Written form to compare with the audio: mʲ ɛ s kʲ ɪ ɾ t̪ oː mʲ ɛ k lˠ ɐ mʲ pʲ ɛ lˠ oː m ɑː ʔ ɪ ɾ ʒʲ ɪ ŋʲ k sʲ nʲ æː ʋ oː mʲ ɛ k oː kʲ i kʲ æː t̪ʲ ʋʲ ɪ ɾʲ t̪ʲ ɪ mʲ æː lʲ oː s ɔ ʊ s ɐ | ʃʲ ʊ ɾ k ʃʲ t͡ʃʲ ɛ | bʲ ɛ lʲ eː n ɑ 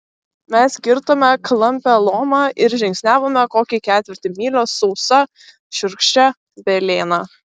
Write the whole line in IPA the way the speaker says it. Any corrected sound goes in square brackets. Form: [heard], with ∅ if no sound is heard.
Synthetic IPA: mʲ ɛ s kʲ ɪ ɾ t̪ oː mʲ ɛ k lˠ ɐ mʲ pʲ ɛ lˠ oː m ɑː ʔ ɪ ɾ ʒʲ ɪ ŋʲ k sʲ nʲ æː ʋ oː mʲ ɛ k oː kʲ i kʲ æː t̪ʲ ʋʲ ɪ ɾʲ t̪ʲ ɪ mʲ [iː] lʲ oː s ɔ ʊ s ɐ | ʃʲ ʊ ɾ k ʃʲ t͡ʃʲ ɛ | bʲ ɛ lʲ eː n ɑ